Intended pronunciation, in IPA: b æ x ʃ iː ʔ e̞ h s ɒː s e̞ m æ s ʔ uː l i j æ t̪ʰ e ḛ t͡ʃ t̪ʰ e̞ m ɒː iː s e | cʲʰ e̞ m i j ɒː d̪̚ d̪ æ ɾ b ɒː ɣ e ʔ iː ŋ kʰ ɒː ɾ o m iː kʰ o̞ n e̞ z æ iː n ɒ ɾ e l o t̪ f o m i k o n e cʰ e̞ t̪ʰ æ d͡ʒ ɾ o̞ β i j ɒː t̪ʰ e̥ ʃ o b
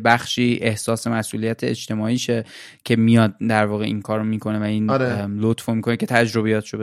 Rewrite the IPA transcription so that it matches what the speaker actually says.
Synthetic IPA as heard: b æ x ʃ iː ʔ e̞ h s ɒː s e̞ m æ s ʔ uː l i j æ t̪ʰ e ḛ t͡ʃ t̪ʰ e̞ m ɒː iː ʃ e | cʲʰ e̞ m i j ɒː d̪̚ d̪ æ ɾ v ɒː ɣ e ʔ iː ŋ kʰ ɒː ɾ o m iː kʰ o̞ n e̞ v æ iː n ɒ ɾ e l o t̪ f o m i k o n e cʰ e̞ t̪ʰ æ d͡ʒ ɾ o̞ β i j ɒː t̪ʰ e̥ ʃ o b